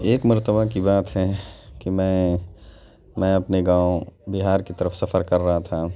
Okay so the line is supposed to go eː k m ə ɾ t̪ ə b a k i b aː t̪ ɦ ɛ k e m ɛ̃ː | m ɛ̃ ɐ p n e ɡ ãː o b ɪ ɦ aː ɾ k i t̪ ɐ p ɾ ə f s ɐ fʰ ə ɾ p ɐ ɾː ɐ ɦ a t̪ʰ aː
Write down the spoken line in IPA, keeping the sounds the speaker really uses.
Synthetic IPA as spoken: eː k m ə ɾ t̪ ə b a k i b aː t̪ ɦ ɛ k i m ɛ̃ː | m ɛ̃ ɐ p n e ɡ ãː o b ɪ ɦ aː ɾ k i t̪ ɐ ɾ ə f s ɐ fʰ ə ɾ k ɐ ɾː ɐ ɦ a t̪ʰ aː